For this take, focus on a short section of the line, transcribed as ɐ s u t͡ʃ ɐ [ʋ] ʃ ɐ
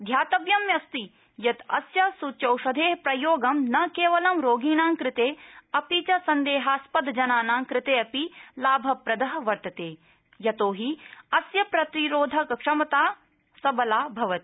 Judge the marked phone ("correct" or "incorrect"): incorrect